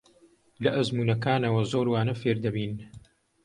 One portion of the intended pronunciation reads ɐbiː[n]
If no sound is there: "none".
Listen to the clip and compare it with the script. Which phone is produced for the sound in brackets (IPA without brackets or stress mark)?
n